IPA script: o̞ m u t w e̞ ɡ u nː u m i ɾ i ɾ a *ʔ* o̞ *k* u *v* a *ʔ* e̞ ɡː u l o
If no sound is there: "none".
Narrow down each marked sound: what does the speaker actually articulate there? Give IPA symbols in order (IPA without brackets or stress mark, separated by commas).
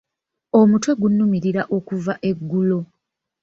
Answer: ʔ, k, v, ʔ